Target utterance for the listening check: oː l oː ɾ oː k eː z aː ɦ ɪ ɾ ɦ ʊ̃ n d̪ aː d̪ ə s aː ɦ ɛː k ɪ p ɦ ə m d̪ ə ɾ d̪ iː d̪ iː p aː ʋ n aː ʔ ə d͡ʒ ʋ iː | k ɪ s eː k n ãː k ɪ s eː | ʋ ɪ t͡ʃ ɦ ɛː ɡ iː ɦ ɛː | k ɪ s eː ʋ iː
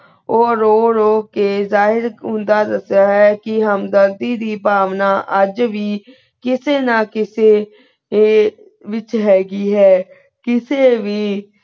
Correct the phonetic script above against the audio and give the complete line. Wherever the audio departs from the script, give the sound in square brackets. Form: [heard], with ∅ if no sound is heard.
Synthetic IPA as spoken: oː [ɾ] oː ɾ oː k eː z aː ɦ ɪ ɾ ɦ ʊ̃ n d̪ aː d̪ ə s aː ɦ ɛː k ɪ [∅] ɦ ə m d̪ ə ɾ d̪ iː d̪ iː p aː ʋ n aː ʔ ə d͡ʒ ʋ iː | k ɪ s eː [∅] n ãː k ɪ s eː | ʋ ɪ t͡ʃ ɦ ɛː ɡ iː ɦ ɛː | k ɪ s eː ʋ iː